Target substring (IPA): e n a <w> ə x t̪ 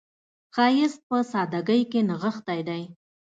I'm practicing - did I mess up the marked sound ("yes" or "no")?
yes